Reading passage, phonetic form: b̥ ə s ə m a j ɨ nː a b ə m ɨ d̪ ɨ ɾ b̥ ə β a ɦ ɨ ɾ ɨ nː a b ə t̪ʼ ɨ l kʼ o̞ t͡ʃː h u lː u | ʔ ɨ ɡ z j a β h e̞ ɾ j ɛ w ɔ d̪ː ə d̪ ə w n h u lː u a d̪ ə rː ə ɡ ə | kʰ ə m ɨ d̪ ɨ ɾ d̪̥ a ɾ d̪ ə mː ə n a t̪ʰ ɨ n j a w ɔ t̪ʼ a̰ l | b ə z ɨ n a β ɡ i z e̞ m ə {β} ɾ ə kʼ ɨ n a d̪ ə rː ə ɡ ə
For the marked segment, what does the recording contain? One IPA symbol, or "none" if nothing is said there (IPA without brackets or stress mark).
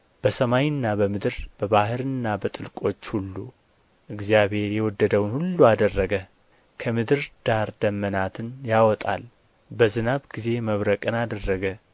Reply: β